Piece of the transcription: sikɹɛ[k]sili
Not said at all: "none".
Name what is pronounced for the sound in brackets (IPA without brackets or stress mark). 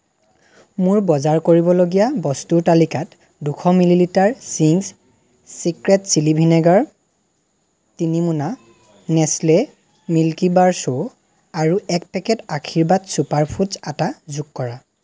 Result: t